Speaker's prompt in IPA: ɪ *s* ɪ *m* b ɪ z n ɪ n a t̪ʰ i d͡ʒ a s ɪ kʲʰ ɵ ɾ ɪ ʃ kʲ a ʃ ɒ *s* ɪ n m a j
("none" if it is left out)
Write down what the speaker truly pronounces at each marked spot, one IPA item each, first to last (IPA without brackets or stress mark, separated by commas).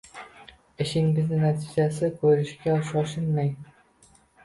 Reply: ʃ, ŋ, ʃ